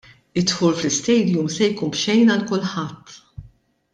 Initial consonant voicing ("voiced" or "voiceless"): voiceless